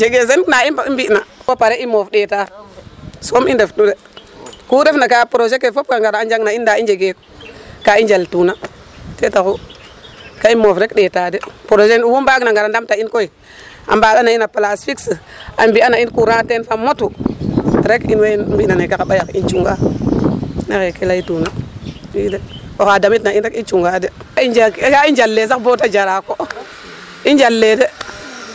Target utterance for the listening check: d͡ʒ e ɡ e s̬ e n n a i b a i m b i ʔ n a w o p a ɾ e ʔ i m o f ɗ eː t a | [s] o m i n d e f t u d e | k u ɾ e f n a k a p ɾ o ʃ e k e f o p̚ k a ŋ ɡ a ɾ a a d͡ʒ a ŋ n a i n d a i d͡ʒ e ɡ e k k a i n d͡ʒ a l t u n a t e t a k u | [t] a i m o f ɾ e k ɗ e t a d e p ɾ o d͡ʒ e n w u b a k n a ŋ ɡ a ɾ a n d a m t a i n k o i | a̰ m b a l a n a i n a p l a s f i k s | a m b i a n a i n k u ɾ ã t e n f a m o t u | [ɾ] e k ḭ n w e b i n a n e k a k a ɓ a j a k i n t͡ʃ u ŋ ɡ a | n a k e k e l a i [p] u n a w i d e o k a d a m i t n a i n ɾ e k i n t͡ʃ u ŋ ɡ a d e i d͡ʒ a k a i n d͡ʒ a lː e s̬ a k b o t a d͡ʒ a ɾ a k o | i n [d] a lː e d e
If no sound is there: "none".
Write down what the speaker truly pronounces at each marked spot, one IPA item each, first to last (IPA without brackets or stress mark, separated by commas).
s, k, ɾ, t, d͡ʒ